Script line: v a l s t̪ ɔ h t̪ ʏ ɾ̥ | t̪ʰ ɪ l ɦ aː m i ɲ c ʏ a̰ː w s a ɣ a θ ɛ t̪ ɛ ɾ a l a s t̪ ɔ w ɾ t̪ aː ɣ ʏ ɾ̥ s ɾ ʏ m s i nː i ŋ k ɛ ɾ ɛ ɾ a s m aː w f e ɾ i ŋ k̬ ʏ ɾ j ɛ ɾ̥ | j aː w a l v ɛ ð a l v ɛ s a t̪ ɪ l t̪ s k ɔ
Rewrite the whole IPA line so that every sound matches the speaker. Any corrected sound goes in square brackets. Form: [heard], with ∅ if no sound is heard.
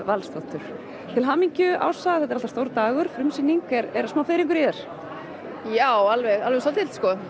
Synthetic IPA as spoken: v a l s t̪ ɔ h t̪ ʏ ɾ̥ | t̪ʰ ɪ l ɦ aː m i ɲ c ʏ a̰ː w s a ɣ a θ ɛ t̪ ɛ ɾ a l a s t̪ [o] w ɾ t̪ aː ɣ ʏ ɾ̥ [f] ɾ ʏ m s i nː i ŋ k ɛ ɾ ɛ ɾ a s m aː w f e ɾ i ŋ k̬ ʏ ɾ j ɛ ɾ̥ | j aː w a l v ɛ [ɣ] a l v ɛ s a t̪ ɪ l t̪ s k ɔ